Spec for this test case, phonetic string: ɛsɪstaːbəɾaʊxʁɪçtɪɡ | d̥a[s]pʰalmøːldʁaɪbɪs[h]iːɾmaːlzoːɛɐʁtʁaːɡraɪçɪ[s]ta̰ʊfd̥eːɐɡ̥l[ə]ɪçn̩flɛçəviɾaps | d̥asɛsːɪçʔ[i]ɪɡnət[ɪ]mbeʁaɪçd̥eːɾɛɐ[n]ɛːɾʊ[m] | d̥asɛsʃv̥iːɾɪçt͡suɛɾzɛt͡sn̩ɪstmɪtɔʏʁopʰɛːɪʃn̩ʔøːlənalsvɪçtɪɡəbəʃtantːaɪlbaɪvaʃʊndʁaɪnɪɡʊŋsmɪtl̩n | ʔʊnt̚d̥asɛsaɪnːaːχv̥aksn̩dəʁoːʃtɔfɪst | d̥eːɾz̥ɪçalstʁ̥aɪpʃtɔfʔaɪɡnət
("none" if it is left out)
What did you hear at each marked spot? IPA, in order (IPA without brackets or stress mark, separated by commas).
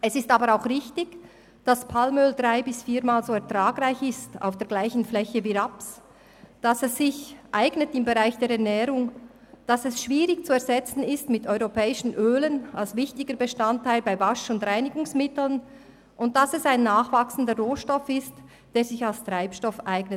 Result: s, f, s, a, a, ɪ, n, ŋ